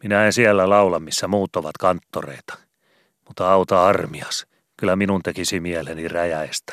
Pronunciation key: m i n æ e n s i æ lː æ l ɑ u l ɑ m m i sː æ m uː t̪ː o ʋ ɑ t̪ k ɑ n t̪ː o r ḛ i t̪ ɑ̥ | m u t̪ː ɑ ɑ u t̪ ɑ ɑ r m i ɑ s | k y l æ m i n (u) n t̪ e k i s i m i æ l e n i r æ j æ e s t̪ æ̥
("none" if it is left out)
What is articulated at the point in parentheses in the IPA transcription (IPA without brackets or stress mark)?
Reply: u